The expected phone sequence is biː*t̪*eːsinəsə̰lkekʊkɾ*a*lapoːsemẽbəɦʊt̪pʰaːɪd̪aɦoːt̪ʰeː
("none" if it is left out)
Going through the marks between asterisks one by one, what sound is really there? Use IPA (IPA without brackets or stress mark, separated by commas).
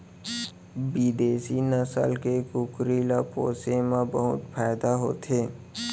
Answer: d̪, i